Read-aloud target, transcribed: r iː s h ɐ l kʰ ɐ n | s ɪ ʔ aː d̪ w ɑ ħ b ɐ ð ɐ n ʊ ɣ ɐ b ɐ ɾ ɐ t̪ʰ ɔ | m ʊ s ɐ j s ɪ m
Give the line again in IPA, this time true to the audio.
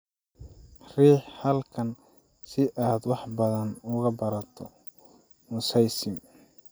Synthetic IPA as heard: r iː ħ h ɐ l kʰ ɐ n | s ɪ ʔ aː d̪ w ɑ ħ b ɐ ð ɐ n ʊ ɣ ɐ b ɐ ɾ ɐ t̪ʰ ɔ | m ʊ s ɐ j s ɪ m

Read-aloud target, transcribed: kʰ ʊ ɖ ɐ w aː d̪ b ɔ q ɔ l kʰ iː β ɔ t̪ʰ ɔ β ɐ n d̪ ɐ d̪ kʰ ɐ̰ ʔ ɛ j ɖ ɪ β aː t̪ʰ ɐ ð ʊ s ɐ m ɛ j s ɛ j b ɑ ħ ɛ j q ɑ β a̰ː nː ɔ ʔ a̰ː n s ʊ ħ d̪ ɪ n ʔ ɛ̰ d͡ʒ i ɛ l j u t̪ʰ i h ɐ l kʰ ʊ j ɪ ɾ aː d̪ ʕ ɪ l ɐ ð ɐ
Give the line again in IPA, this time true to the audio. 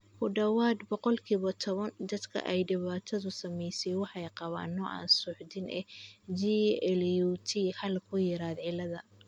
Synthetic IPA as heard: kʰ ʊ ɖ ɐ w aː d̪ b ɔ q ɔ l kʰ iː β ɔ t̪ʰ ɔ β ɐ n d̪ ɐ d̪ kʰ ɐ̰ ʔ ɛ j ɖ ɪ β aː t̪ʰ ɐ ð ʊ s ɐ m ɛ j s ɛ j w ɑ ħ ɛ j q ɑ β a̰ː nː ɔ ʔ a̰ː n s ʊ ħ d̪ ɪ n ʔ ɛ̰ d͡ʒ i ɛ l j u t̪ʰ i h ɐ l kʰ ʊ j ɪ ɾ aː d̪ ʕ ɪ l ɐ ð ɐ

